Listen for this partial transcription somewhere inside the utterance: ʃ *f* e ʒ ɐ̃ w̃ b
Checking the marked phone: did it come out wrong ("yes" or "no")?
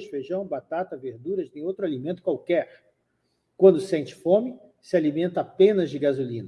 no